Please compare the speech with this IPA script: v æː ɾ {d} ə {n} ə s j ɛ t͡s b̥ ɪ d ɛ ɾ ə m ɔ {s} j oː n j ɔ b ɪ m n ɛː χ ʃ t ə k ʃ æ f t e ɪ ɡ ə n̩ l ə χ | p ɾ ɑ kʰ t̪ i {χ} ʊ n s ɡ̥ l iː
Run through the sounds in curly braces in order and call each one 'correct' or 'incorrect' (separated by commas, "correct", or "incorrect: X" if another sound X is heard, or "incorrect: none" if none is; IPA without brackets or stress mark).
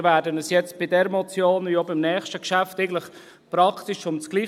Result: correct, correct, incorrect: t͡s, incorrect: ʃ